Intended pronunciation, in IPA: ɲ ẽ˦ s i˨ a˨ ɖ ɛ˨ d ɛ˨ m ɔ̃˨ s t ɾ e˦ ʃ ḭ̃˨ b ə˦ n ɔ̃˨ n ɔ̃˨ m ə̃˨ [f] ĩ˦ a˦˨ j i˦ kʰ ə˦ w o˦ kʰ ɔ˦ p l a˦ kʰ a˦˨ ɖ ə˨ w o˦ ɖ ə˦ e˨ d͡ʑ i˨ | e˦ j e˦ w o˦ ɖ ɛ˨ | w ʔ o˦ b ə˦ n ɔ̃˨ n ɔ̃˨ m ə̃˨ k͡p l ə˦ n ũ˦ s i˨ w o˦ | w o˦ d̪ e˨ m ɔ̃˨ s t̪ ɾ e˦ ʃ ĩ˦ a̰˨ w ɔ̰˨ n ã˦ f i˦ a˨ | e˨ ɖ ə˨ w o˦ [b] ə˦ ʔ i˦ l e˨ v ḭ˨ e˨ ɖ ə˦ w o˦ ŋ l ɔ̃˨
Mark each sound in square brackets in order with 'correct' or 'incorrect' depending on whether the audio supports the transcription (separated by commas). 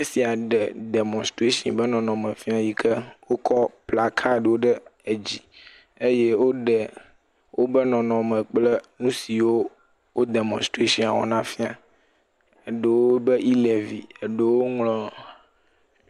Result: correct, correct